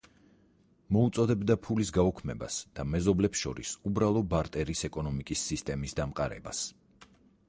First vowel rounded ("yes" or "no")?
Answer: yes